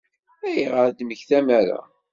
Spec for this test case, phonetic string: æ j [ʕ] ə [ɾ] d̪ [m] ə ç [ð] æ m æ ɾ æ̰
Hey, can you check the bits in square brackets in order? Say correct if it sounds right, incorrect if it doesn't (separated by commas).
incorrect, correct, correct, incorrect